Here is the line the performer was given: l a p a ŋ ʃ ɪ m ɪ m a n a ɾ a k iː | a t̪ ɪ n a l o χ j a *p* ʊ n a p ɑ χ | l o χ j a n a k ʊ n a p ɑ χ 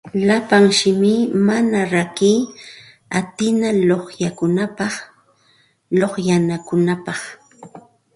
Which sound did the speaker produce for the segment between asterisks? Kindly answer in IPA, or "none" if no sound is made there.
k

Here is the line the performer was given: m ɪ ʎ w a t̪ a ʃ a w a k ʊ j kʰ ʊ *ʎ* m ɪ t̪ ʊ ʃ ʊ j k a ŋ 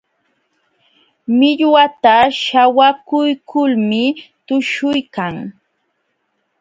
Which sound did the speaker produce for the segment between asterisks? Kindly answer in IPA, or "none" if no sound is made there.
l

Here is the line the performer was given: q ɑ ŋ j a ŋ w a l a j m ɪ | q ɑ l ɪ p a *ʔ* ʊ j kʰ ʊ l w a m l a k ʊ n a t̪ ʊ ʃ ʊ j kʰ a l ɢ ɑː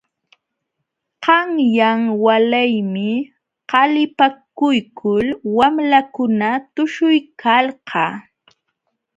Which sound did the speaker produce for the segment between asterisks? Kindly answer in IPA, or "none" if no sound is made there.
k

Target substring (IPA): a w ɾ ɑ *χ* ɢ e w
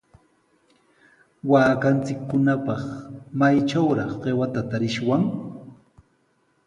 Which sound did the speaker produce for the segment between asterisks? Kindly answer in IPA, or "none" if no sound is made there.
χ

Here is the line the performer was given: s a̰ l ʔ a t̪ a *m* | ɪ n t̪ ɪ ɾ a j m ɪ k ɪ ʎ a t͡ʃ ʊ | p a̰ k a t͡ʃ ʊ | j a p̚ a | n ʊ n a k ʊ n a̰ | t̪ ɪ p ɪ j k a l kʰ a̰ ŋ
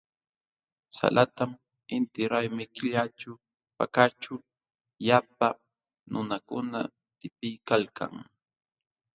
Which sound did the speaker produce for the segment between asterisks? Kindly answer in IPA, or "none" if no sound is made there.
m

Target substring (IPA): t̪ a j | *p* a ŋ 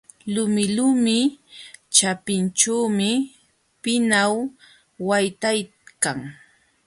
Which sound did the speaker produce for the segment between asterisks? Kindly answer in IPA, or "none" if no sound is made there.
k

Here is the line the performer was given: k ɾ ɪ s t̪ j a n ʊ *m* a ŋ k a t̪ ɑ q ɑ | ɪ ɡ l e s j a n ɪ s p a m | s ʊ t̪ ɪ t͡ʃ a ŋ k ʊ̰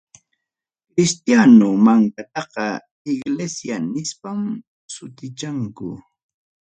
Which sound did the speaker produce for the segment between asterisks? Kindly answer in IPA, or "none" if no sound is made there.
m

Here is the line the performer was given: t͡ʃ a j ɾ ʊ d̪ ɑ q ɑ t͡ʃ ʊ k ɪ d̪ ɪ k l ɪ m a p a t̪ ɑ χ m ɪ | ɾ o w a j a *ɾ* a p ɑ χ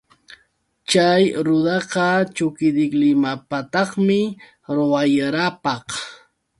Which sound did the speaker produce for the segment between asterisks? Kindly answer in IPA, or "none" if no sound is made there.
ɾ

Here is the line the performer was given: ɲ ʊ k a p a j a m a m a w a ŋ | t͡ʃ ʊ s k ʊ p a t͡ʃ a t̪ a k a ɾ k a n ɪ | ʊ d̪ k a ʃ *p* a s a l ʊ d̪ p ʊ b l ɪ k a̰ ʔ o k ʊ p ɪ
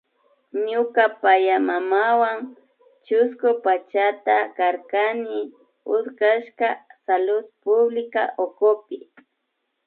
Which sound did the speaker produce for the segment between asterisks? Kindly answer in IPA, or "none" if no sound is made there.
k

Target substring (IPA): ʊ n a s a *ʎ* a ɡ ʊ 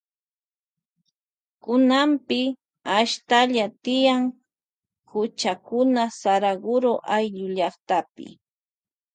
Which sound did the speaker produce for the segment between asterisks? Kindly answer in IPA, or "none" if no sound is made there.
ɾ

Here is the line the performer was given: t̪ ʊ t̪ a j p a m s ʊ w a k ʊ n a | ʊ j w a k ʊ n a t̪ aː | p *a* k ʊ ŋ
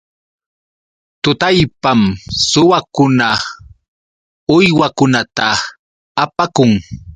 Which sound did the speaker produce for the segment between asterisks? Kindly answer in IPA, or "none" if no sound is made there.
a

